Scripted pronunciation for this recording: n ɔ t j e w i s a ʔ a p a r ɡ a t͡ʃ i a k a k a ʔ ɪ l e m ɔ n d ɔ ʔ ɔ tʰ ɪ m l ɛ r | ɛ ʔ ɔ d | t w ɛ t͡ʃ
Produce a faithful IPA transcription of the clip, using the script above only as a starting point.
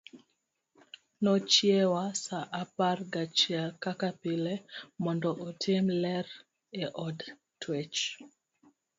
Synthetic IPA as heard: n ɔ t͡ʃ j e w a s a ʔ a p a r ɡ a t͡ʃ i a k a k a p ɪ l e m ɔ n d ɔ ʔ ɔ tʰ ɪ m l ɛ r | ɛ ʔ ɔ d | t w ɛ t͡ʃ